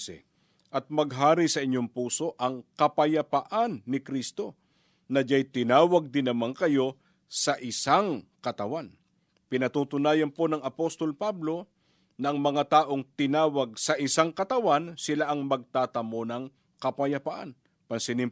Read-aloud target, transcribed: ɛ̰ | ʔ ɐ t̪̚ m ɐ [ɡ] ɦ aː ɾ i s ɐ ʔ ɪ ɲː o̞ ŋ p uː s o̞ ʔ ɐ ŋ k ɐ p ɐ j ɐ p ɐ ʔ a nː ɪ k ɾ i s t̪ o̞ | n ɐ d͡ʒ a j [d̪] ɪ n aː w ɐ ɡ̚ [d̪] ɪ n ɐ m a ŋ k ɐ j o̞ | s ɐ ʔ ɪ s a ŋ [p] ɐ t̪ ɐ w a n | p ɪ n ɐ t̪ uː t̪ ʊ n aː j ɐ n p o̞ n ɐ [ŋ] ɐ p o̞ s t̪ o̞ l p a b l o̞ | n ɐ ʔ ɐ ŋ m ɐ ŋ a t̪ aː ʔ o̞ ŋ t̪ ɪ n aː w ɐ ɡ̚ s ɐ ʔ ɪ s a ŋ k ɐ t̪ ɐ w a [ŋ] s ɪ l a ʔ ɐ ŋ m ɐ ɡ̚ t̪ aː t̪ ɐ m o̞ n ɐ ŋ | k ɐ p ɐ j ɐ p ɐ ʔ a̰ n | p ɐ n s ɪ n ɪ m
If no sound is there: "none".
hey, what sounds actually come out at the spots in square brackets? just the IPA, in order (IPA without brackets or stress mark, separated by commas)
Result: ɡ, t̪, d̪, k, ŋ, n